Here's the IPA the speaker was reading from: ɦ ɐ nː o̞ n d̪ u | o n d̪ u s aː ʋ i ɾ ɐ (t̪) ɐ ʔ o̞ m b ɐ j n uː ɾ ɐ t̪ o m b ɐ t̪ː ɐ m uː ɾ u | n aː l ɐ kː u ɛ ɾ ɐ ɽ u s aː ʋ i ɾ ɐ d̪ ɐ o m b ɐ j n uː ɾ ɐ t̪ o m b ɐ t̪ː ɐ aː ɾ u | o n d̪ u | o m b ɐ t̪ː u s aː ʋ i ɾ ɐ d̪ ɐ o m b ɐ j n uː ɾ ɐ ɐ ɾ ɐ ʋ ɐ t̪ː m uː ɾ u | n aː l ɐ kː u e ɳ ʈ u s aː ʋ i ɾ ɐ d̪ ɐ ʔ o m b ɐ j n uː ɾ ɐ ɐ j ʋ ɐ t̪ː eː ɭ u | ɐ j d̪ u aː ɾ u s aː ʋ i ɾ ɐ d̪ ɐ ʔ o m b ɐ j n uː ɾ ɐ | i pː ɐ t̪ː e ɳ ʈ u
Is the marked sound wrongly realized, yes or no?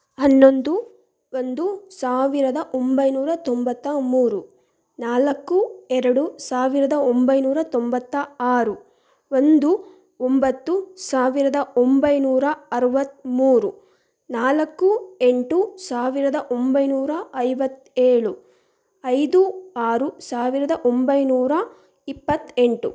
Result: yes